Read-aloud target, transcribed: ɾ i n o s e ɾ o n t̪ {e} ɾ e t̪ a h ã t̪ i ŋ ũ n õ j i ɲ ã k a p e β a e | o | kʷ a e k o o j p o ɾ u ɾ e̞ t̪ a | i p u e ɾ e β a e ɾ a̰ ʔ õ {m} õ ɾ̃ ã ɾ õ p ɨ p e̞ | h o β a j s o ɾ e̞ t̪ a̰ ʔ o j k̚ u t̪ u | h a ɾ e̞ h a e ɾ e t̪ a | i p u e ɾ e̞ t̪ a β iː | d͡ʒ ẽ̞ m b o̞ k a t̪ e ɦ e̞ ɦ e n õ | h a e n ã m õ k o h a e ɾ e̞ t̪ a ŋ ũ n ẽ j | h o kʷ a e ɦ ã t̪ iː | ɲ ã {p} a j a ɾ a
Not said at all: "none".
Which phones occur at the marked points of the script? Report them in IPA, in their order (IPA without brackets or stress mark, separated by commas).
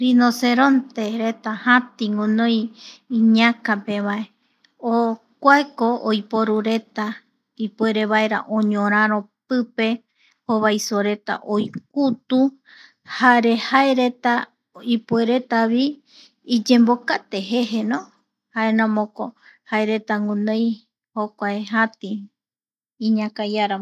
e, ɲ, k